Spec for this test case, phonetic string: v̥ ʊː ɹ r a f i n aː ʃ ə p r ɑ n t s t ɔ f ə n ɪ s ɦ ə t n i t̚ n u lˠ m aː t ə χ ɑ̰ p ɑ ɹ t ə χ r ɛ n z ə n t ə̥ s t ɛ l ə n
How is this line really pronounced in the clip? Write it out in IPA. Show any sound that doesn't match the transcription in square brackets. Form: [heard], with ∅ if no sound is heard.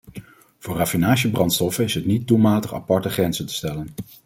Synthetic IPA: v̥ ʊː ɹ r a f i n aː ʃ ə [b] r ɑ n t s t ɔ f ə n ɪ s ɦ ə t n i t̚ [d] u lˠ m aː t ə χ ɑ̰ p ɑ ɹ t ə χ r ɛ n z ə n t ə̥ s t ɛ l ə n